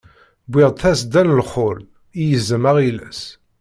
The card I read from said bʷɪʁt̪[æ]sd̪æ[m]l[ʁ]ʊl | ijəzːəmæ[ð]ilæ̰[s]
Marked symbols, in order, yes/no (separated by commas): yes, no, no, no, yes